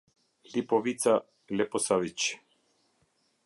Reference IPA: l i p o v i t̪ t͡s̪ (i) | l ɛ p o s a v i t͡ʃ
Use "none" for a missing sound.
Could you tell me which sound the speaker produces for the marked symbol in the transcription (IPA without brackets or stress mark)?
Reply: a